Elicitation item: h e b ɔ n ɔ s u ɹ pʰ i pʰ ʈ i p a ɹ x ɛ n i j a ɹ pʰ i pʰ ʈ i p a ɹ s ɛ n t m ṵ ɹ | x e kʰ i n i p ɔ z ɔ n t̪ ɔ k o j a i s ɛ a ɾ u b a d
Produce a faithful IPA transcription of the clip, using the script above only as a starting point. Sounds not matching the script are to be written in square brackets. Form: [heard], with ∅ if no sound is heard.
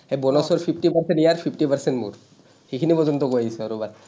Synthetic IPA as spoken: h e b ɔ n ɔ s [ɔ] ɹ pʰ i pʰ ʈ i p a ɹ [s] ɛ n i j a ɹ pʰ i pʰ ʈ i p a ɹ s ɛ n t m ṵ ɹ | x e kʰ i n i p ɔ z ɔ n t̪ ɔ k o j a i s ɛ a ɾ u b a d